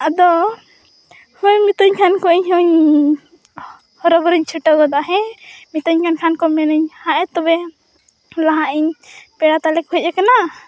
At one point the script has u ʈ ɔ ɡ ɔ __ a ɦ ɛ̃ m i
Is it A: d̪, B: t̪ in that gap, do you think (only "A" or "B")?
A